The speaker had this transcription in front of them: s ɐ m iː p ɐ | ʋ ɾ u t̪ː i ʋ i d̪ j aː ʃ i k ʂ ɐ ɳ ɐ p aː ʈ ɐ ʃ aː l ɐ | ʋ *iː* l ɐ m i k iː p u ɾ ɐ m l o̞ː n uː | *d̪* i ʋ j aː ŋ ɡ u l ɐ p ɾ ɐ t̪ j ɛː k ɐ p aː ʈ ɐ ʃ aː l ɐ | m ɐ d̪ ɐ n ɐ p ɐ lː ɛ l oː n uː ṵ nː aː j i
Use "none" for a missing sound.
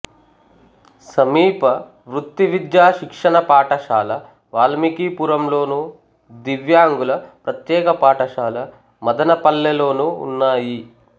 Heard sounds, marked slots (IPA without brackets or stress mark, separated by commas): aː, d̪